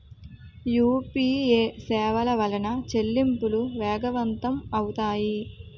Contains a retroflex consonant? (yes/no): no